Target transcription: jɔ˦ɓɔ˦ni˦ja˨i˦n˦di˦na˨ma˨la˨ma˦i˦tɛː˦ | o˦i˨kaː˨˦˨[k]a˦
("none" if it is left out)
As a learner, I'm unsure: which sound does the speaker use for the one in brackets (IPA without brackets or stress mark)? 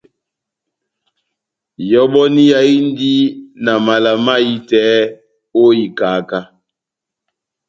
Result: k